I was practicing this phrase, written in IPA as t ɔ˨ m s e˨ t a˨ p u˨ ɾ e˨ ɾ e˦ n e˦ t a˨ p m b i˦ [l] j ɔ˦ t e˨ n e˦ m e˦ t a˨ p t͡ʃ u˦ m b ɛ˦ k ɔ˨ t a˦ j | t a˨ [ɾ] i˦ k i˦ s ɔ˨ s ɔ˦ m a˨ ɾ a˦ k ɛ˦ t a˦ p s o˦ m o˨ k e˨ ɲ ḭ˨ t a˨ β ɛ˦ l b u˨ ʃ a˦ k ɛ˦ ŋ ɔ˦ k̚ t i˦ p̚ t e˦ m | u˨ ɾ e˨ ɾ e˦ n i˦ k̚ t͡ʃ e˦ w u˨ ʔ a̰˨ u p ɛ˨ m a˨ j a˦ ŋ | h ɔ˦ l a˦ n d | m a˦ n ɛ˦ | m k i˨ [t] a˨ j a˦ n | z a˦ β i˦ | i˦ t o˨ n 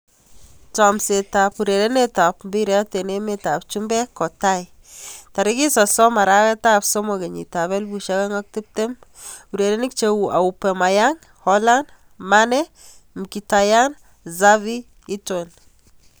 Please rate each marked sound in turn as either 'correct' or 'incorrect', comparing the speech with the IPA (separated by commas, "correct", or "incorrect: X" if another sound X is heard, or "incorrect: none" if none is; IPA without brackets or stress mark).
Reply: incorrect: ɾ, correct, correct